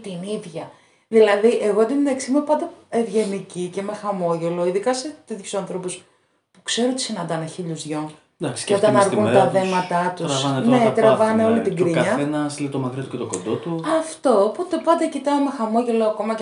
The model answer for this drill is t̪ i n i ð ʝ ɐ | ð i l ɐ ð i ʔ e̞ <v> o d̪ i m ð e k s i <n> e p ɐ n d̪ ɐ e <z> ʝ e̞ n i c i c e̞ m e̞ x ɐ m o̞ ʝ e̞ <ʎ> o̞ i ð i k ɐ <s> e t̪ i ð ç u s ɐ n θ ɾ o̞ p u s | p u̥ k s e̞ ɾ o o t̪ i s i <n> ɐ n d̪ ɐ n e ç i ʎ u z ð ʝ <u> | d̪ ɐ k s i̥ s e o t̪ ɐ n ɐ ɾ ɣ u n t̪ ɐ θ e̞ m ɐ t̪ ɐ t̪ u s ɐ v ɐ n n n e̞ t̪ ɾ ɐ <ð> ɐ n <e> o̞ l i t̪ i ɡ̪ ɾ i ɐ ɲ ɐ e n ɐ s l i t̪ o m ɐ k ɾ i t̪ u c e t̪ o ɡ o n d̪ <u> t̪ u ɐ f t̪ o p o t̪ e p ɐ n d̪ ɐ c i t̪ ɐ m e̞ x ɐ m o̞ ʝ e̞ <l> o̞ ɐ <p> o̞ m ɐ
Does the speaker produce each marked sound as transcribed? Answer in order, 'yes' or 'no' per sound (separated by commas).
no, no, no, no, yes, yes, no, no, yes, no, yes, no